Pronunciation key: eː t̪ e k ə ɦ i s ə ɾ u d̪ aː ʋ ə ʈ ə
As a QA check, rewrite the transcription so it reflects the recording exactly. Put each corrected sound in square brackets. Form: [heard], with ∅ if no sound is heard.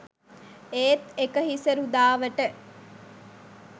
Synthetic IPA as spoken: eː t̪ e k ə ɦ i s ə ɾ u d̪ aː ʋ ə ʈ ə